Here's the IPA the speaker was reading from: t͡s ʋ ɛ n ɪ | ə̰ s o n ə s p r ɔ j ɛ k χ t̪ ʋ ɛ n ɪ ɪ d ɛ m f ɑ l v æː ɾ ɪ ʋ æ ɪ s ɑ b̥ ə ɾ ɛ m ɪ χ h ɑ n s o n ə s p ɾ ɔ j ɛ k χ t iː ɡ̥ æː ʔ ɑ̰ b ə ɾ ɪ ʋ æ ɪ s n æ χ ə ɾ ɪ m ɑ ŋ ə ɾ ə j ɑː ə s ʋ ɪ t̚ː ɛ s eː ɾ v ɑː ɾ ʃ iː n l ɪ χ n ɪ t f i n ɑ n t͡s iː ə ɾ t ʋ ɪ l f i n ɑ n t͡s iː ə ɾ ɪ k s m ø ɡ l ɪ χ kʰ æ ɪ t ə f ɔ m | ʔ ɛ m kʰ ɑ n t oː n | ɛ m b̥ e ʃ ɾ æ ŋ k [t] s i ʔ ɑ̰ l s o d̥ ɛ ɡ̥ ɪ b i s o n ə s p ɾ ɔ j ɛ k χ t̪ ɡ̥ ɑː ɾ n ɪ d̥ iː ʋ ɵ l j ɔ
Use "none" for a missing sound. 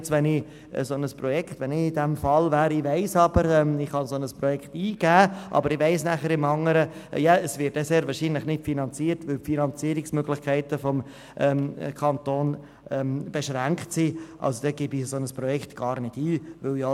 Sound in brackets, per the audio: t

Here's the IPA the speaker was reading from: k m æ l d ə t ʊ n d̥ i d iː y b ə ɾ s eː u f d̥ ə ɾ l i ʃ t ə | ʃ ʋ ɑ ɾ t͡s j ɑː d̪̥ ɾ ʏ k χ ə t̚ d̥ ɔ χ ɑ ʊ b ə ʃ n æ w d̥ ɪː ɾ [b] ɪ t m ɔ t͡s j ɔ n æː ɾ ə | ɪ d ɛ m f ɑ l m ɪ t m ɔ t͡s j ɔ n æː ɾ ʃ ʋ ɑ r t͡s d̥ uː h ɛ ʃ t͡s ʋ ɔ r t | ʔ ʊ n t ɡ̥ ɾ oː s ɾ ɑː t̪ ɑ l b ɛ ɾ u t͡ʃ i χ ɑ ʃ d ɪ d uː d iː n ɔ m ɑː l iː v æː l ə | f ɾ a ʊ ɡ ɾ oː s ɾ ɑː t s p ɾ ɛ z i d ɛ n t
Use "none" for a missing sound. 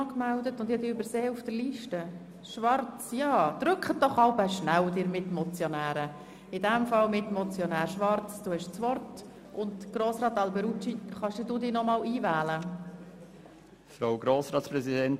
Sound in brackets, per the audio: m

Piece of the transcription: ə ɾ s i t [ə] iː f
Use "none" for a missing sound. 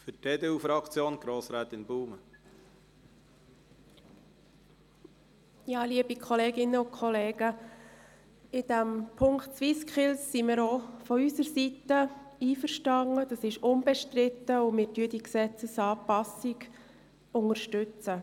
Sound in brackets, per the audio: ə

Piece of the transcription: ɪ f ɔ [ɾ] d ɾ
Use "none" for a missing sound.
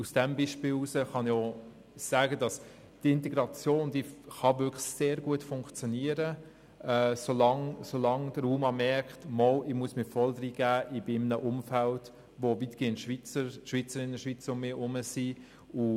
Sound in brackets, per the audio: l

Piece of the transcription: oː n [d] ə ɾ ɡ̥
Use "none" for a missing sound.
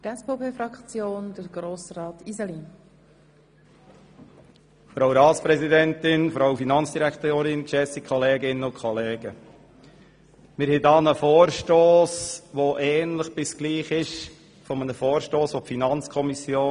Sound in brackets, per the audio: d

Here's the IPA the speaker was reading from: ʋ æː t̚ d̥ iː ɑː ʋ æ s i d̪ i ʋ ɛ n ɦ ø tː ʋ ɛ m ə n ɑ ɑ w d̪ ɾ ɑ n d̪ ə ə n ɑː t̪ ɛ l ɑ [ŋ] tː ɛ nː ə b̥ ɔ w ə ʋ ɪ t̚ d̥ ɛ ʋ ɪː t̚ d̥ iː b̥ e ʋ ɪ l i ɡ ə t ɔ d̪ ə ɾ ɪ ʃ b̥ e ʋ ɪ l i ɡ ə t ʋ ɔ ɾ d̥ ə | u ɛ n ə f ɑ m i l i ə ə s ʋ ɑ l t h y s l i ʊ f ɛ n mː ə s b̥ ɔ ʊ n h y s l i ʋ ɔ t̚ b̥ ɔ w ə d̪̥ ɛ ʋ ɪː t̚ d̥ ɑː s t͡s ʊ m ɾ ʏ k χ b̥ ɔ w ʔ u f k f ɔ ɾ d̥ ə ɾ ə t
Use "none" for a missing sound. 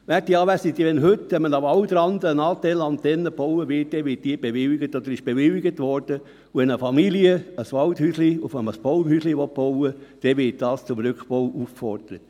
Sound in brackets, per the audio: n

